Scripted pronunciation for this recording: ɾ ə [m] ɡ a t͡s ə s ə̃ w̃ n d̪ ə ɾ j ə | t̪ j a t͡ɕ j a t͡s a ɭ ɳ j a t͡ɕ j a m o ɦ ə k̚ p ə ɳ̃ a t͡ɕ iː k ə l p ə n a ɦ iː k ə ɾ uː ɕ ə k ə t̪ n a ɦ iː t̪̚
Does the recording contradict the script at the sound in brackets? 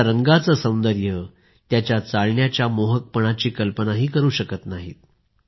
yes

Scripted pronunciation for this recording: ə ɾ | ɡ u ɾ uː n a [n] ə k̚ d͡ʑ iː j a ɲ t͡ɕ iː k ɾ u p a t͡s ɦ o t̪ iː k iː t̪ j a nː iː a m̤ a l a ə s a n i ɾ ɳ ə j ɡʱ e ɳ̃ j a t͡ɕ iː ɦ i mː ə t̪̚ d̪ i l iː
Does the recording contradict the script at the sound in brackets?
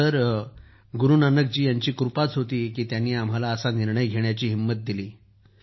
no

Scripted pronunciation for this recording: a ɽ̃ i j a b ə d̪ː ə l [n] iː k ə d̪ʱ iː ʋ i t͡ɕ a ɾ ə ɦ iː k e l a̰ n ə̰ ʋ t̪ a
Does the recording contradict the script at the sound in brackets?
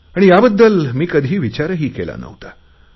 yes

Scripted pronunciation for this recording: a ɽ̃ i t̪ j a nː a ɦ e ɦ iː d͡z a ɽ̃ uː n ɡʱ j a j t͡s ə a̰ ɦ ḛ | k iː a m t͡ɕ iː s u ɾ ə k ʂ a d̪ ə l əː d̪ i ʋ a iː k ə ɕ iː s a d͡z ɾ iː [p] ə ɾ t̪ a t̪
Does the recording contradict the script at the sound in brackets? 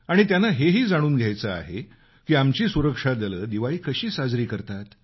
yes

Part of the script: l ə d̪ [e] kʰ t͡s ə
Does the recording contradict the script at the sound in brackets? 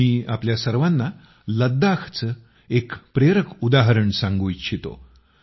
yes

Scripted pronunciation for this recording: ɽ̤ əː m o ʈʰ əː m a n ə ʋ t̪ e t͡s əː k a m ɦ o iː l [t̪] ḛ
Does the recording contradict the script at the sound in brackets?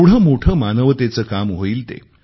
no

